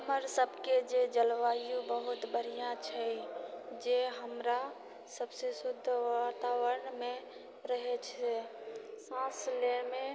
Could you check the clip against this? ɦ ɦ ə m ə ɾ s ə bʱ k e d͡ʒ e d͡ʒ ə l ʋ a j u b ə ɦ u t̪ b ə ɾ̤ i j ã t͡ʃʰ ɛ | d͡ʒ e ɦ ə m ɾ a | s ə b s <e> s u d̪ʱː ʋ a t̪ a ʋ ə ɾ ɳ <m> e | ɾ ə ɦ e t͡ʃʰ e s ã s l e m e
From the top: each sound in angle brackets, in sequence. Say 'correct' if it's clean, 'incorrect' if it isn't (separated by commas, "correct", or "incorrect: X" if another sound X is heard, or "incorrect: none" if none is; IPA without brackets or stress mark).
correct, correct